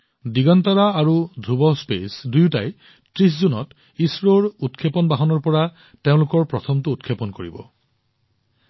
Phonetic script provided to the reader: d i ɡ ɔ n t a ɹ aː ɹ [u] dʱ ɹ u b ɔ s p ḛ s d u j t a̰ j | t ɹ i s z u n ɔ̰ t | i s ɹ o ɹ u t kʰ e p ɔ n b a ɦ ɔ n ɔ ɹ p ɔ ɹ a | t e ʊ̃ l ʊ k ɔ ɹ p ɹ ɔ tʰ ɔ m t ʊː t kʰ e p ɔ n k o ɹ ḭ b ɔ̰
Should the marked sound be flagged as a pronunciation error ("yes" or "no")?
no